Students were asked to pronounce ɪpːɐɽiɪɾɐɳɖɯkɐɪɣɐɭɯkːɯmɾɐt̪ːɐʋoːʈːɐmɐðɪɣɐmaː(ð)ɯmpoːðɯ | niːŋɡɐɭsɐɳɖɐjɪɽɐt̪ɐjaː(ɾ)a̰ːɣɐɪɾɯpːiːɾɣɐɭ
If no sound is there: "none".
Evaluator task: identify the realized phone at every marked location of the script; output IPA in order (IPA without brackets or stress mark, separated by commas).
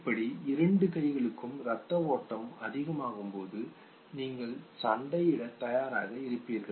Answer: ɣ, ɾ